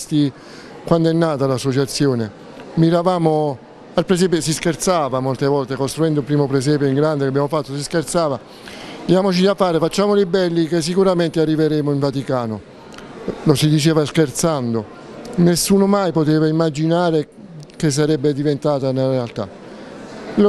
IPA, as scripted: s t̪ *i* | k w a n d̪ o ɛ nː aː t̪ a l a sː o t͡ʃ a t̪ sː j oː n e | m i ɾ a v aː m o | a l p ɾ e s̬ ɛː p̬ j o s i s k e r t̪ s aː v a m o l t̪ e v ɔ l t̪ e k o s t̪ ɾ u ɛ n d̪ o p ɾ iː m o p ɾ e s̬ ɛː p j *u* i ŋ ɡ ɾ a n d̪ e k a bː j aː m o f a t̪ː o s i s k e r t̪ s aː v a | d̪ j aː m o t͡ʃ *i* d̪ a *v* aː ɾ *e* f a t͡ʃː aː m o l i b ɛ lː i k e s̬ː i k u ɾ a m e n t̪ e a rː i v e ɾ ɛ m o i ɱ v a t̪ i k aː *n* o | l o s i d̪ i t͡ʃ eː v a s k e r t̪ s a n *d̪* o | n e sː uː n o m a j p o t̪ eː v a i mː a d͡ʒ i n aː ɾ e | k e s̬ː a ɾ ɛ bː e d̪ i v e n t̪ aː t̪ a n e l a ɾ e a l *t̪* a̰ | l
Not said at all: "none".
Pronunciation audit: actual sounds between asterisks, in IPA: i, o, i, f, e, n, d̪, t̪

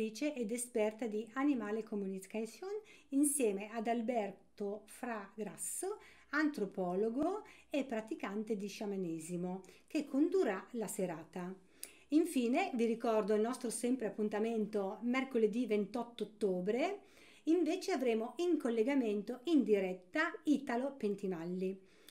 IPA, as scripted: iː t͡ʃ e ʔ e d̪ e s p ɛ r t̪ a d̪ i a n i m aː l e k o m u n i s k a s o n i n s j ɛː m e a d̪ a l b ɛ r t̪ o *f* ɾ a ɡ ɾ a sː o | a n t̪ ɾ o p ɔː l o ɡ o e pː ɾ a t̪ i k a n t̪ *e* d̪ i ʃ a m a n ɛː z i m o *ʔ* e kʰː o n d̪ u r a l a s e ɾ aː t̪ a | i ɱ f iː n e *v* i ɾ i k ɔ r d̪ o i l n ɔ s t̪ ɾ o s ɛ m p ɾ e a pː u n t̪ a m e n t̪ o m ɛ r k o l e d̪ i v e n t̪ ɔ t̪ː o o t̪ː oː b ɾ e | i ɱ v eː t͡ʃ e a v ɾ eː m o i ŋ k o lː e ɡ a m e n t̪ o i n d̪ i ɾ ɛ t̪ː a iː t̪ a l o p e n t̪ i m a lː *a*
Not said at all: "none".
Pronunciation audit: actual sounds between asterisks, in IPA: f, e, k, v, i

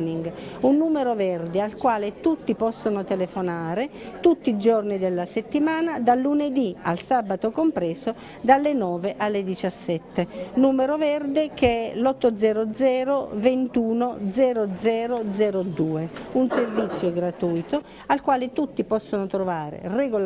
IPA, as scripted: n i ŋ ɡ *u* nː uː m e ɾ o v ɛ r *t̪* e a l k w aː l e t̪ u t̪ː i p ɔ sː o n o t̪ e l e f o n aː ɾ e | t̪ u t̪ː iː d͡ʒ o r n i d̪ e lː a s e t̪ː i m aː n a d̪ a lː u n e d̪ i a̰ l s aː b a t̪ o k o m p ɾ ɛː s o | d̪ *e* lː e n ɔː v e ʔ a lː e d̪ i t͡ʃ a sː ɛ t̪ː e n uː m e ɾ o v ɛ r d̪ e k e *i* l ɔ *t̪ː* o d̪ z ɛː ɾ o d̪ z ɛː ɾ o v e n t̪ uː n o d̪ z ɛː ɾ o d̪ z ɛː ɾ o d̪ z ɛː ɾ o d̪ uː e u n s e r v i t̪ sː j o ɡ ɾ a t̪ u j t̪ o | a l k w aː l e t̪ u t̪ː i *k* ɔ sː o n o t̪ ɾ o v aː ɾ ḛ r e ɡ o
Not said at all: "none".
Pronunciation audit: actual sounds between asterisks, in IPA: u, d̪, a, ɛ, t̪ː, p

